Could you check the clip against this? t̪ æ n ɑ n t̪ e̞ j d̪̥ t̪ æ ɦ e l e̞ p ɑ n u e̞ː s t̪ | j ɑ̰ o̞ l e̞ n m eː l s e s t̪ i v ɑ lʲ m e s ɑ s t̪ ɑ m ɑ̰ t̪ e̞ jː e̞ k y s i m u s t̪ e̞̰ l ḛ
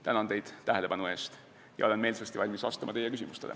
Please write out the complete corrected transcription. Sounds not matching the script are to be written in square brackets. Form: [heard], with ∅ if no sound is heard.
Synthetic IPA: t̪ æ n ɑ n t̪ e̞ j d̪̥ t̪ æ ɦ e l e̞ p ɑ n u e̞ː s t̪ | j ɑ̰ o̞ l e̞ n m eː l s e s t̪ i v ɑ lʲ m [i] s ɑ s t̪ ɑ m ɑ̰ t̪ e̞ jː e̞ k y s i m u s t̪ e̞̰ l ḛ